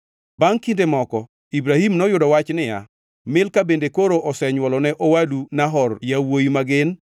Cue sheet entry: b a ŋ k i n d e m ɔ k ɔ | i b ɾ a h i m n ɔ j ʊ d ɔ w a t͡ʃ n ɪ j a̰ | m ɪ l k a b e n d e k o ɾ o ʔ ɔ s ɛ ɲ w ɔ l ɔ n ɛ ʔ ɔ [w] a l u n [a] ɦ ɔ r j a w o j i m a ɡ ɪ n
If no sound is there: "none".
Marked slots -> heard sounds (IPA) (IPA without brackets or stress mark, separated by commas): w, a